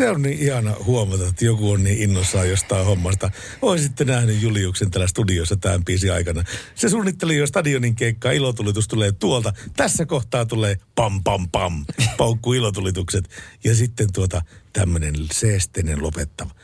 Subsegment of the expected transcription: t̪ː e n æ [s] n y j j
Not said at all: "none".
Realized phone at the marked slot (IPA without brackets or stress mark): h